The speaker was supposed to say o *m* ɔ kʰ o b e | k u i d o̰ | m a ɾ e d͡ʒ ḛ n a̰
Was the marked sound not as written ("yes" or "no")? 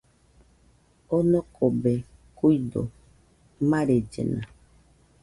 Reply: yes